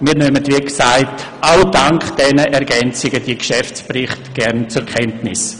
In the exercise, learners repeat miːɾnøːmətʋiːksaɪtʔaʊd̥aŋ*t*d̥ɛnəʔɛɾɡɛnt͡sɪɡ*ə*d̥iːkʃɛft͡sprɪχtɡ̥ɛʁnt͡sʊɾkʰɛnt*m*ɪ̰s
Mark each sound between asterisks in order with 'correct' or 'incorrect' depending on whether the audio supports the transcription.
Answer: incorrect, correct, incorrect

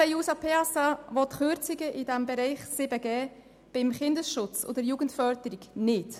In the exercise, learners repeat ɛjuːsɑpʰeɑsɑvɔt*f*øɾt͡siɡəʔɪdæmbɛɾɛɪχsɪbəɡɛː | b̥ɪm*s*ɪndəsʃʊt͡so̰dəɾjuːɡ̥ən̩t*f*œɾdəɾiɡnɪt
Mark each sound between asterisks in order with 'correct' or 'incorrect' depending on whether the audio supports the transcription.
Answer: incorrect, incorrect, correct

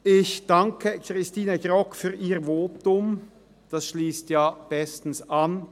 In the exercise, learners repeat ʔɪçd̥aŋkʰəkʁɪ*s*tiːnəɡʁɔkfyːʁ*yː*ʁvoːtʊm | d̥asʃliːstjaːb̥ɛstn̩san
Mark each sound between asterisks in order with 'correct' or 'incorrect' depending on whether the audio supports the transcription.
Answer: correct, incorrect

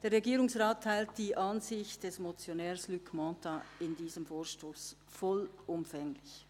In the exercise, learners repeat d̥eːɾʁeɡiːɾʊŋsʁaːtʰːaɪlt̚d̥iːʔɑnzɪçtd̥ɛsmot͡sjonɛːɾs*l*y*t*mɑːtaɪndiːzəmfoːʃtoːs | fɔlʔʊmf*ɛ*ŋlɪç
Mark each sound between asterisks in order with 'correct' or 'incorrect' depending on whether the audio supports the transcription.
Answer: correct, incorrect, correct

